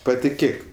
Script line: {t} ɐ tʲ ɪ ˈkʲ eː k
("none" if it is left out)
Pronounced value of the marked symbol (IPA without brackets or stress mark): p